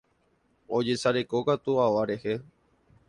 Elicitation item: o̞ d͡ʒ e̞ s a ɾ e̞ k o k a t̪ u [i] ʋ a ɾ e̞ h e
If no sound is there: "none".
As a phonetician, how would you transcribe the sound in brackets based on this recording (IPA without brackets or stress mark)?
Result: a